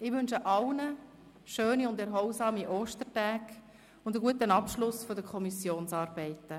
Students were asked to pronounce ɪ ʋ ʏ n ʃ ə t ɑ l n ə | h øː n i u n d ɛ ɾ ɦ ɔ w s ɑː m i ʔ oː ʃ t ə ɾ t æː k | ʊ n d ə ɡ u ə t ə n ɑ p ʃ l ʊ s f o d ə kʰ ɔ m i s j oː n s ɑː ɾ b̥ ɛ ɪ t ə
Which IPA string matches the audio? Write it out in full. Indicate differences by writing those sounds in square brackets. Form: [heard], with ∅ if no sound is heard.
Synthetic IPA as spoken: ɪ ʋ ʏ n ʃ ə [ʔ] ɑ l n ə | [ʃ] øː n i [ʊ] n d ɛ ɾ ɦ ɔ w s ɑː m i ʔ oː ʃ t ə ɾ t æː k | ʊ n d ə ɡ u ə t ə n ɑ p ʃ l ʊ s f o d ə kʰ ɔ m i s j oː n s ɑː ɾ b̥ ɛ ɪ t ə